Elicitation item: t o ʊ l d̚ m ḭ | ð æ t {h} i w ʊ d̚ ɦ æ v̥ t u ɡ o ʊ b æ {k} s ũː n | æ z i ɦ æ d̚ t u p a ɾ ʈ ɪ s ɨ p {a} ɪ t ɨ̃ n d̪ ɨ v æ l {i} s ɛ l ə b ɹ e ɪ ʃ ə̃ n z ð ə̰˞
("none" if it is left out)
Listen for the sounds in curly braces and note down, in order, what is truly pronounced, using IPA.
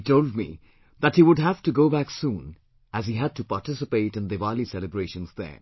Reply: h, k, e, i

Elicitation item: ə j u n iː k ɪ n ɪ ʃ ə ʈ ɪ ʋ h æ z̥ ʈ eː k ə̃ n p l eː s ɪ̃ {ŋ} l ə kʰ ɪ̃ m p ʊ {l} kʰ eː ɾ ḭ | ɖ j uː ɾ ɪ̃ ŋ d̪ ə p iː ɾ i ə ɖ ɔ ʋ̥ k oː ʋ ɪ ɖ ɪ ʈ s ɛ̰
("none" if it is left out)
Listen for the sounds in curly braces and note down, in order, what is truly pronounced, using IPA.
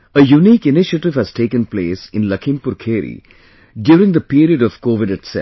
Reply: n, ɾ

